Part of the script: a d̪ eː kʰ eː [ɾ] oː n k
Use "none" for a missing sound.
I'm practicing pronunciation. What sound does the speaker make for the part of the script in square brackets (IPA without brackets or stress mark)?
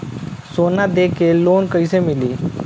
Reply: l